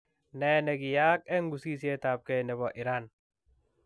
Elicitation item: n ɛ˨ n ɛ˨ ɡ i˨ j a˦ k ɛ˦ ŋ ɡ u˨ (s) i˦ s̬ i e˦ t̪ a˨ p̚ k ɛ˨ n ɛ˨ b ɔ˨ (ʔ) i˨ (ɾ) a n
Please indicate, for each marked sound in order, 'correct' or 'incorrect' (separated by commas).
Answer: correct, correct, correct